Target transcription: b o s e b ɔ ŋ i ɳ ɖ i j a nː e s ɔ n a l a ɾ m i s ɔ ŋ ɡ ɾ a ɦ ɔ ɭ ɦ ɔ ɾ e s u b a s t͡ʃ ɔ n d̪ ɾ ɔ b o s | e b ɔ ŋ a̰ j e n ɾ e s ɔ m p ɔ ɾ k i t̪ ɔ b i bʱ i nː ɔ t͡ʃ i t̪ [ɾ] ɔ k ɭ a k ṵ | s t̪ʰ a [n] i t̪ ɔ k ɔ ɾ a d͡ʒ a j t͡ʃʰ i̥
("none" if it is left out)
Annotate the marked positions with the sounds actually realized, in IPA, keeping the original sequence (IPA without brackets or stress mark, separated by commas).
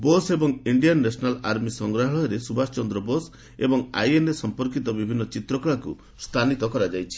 ɾ, n